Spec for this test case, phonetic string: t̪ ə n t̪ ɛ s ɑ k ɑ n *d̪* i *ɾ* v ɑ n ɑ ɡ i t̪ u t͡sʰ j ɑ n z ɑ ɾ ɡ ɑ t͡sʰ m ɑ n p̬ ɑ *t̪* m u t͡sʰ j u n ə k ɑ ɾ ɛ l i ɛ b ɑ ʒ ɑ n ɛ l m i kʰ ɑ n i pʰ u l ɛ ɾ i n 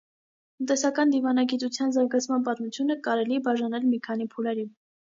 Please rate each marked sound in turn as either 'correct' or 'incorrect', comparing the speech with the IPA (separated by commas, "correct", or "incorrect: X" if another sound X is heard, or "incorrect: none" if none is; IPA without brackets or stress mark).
correct, incorrect: none, correct